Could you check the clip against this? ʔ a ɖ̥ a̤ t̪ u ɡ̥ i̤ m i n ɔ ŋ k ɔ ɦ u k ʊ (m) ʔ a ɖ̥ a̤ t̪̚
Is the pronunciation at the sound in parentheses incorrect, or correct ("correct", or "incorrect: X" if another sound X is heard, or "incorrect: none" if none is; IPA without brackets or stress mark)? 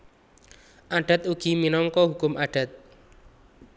correct